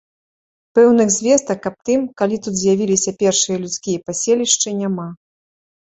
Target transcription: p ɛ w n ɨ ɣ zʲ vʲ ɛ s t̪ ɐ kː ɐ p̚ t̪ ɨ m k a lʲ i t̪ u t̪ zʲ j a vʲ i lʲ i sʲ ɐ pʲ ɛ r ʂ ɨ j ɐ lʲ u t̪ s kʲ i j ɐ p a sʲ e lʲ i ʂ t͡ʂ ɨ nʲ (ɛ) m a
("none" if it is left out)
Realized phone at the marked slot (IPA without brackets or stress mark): a